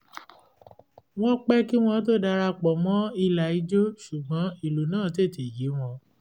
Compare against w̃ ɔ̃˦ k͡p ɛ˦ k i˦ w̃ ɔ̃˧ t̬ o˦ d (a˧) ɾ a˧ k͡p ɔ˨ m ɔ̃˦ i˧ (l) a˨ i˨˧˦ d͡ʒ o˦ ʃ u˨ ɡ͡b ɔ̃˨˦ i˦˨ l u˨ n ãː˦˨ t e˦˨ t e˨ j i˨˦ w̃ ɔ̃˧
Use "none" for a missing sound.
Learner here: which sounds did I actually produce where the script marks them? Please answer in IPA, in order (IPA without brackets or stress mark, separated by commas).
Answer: a˧, l